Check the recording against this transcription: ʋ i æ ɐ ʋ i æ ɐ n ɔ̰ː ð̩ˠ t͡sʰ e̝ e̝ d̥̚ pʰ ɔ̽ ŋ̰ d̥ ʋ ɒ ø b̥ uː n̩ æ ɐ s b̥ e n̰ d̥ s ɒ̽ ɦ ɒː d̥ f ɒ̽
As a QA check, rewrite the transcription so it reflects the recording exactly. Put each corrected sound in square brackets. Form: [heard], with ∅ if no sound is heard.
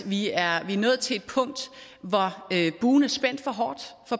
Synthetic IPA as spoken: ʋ i æ ɐ ʋ i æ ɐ n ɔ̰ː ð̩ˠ t͡sʰ e̝ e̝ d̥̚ pʰ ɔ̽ ŋ̰ d̥ ʋ ɒ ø b̥ uː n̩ æ ɐ s b̥ e n̰ d̥ [f] ɒ̽ ɦ ɒː d̥ f ɒ̽